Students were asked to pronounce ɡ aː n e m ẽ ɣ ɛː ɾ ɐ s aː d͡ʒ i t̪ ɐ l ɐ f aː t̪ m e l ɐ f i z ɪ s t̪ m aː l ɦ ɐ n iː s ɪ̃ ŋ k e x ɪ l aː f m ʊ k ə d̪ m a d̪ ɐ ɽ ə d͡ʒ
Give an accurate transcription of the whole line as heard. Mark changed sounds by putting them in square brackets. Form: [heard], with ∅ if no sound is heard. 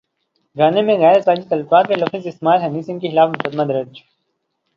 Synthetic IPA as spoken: ɡ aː n e m ẽ ɣ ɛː ɾ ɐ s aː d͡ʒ i t̪ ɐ l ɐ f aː t̪ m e l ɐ f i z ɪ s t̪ m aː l ɦ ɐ n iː s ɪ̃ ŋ k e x ɪ l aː f m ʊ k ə d̪ m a d̪ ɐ [ɾ] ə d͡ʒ